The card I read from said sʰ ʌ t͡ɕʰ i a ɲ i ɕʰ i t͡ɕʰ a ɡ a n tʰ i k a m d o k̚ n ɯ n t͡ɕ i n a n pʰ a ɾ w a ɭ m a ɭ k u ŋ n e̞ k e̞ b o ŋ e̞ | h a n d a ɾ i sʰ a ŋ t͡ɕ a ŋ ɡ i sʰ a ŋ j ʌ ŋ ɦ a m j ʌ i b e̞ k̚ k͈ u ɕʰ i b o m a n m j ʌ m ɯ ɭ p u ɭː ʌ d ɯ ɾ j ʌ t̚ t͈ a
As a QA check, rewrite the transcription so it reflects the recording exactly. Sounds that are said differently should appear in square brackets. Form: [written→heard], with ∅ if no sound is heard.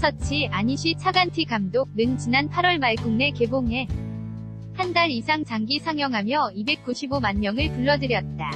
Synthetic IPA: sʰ ʌ t͡ɕʰ i a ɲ i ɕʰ i t͡ɕʰ a ɡ a n tʰ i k a m d o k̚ n ɯ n t͡ɕ i n a n pʰ a ɾ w [a→ʌ] ɭ m a ɭ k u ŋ n e̞ k e̞ b o ŋ e̞ | h a n d a ɾ i sʰ a ŋ t͡ɕ a ŋ ɡ i sʰ a ŋ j ʌ ŋ ɦ a m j ʌ i b e̞ k̚ k͈ u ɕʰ i b o m a n m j ʌ [m→ŋ] ɯ ɭ p u ɭː ʌ d ɯ ɾ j ʌ t̚ t͈ a